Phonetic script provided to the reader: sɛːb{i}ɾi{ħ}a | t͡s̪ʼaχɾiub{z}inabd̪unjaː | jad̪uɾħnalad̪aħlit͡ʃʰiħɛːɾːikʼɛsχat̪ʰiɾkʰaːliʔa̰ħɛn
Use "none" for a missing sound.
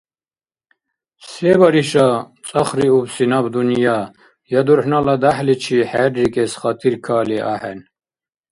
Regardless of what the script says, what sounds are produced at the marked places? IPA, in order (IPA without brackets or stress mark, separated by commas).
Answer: a, ʃ, s